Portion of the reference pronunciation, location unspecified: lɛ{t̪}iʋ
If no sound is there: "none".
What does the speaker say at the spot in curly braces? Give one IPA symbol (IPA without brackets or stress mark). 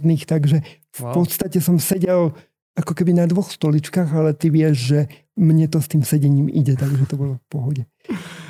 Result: t̪